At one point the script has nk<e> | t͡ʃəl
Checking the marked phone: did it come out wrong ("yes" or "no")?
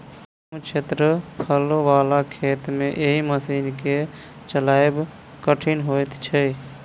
no